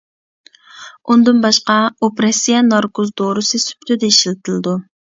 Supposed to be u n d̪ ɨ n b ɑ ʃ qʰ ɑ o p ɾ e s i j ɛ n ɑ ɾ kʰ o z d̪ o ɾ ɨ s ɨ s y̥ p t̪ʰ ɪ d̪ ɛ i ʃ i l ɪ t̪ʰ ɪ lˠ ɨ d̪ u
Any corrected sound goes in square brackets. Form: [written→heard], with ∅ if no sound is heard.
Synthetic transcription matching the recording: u n d̪ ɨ n b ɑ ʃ [qʰ→q] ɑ o p ɾ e s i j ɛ n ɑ ɾ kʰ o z d̪ o ɾ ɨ s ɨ s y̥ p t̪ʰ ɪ d̪ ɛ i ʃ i l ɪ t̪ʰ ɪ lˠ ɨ d̪ u